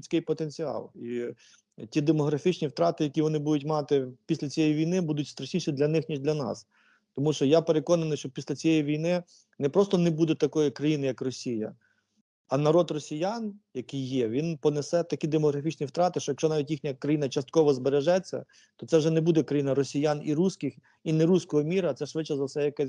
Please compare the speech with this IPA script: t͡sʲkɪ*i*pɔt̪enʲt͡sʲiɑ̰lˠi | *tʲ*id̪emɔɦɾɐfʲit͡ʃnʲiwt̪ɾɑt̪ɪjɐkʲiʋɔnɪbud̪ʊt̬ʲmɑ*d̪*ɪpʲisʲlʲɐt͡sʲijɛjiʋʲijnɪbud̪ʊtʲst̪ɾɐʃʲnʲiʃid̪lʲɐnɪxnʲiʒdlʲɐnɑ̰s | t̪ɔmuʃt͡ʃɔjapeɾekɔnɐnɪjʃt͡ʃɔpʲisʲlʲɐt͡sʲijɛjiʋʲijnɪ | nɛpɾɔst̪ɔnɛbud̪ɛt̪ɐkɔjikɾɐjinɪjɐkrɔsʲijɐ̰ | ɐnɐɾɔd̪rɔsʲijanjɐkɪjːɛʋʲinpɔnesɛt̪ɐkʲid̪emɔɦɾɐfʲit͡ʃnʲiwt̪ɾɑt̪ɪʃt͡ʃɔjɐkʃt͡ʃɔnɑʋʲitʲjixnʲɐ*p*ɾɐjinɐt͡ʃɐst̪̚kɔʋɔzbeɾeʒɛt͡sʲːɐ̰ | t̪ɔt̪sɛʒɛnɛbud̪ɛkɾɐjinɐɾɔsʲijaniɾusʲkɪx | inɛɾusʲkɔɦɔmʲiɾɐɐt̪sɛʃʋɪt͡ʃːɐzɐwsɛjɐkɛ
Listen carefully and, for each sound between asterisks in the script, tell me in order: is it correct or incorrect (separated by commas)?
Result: incorrect, correct, incorrect, incorrect